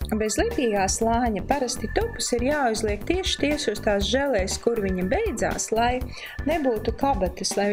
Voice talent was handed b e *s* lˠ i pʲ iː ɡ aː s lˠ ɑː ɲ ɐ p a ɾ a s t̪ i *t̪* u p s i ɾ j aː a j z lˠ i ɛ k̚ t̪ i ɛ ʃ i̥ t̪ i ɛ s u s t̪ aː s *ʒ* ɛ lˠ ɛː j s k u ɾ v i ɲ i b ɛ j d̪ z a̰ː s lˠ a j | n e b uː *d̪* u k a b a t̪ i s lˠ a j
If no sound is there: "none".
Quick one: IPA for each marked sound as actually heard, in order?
z, t̪, ʒ, t̪

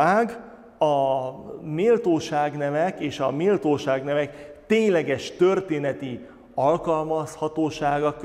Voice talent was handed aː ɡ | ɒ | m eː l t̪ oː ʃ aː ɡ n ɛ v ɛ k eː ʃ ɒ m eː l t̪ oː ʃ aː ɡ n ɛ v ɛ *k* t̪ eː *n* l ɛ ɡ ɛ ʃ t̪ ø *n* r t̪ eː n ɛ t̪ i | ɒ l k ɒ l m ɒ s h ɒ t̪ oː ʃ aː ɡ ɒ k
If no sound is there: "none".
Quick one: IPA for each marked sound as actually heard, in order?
k, ɲ, none

